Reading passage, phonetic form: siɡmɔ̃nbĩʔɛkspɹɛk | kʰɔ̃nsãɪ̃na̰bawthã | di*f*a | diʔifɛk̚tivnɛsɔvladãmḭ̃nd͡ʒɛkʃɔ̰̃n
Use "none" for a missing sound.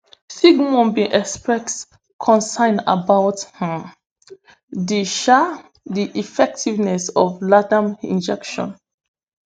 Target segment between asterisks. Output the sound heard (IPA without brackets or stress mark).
ʃ